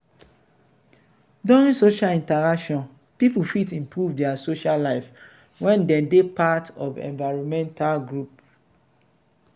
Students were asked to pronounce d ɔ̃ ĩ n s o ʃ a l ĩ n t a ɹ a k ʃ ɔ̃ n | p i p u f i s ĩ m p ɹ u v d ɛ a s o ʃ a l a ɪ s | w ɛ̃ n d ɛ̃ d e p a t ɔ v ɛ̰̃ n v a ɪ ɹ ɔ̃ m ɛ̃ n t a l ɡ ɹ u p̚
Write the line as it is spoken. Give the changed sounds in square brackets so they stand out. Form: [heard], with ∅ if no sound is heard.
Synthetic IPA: d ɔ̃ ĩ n s o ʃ a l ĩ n t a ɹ a k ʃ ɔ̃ n | p i p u f i [t] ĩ m p ɹ u v d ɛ a s o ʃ a l a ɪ [f] | w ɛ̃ n d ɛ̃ d e p a t ɔ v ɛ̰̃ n v a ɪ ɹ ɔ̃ m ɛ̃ n t a l ɡ ɹ u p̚